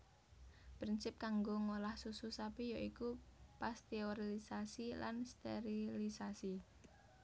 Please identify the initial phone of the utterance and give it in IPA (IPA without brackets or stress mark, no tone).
p